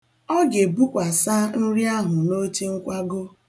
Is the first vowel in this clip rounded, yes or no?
yes